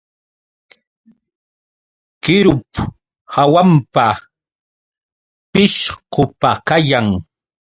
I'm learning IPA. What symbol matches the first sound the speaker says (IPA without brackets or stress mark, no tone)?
k